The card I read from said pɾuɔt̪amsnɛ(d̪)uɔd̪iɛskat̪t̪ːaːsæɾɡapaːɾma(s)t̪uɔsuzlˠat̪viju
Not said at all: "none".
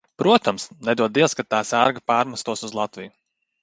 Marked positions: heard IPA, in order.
d̪, s

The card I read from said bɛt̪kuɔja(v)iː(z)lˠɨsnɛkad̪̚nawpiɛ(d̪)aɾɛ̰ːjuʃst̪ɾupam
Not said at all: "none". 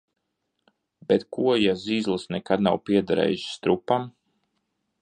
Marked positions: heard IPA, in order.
z, z, d̪

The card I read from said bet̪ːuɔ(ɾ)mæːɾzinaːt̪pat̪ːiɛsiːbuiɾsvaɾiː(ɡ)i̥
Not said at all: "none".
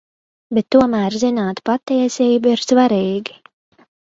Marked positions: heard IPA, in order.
none, ɡ

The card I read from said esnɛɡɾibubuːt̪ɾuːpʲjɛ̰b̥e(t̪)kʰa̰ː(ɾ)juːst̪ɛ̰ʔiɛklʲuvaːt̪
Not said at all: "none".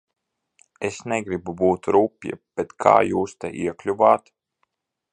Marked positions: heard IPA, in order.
t̪, none

